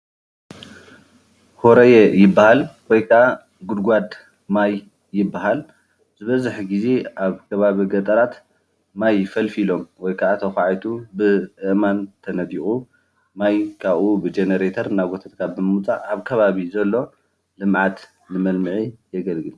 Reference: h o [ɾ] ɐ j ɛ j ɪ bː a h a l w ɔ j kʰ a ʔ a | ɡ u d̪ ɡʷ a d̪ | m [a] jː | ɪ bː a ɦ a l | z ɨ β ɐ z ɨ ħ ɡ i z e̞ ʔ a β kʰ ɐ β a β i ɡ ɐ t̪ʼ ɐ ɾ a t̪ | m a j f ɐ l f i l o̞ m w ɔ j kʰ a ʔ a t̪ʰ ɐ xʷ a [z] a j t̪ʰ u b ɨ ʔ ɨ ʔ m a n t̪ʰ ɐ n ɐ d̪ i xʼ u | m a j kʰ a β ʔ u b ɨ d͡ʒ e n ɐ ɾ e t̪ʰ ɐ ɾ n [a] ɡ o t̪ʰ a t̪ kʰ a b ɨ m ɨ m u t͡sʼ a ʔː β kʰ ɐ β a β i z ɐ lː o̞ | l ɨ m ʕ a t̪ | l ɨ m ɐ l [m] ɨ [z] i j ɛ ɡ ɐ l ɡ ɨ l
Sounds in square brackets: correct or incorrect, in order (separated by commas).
correct, correct, incorrect, correct, correct, incorrect